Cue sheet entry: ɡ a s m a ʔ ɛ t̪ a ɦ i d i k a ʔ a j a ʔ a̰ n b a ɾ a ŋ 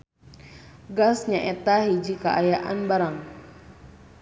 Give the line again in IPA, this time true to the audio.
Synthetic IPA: ɡ a s ɲ a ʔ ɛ t̪ a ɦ i d͡ʒ i k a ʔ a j a ʔ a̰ n b a ɾ a ŋ

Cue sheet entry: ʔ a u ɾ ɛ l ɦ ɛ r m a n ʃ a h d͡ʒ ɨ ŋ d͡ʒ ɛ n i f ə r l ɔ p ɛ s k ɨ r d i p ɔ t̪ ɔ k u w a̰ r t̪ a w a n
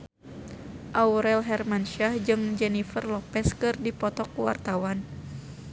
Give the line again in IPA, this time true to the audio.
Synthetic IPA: ʔ a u ɾ ɛ l ɦ ɛ r m a n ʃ a h d͡ʒ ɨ ŋ d͡ʒ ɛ n i f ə r l ɔ p ɛ s k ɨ r d i p ɔ t̪ ɔ k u w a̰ r t̪ a w a n

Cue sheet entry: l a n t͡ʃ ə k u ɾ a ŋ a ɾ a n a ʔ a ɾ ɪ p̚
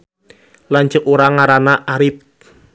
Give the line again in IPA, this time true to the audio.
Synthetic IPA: l a n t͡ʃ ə k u ɾ a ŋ a ɾ a n a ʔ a ɾ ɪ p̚

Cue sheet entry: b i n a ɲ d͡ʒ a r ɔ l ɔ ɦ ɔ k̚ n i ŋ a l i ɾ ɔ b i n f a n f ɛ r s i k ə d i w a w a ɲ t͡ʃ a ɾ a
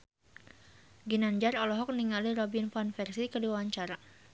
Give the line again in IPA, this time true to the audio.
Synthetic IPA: ɡ i n a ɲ d͡ʒ a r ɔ l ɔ ɦ ɔ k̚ n i ŋ a l i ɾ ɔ b i n f a n f ɛ r s i k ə d i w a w a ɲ t͡ʃ a ɾ a

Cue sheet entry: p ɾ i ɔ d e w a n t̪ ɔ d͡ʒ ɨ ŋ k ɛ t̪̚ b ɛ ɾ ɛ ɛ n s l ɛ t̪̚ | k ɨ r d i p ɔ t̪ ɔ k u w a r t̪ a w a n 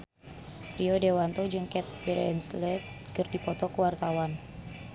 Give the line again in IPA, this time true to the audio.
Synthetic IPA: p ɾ i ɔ d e w a n t̪ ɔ d͡ʒ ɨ ŋ k ɛ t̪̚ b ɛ ɾ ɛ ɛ n s l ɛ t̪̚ | k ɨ r d i p ɔ t̪ ɔ k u w a r t̪ a w a n

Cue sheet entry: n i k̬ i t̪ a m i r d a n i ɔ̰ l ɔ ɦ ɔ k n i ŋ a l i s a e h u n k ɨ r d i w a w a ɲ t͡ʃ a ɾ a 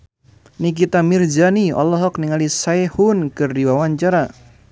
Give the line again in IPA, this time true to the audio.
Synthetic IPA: n i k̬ i t̪ a m i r d͡ʒ a n i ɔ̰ l ɔ ɦ ɔ k n i ŋ a l i s a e h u n k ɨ r d i w a w a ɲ t͡ʃ a ɾ a

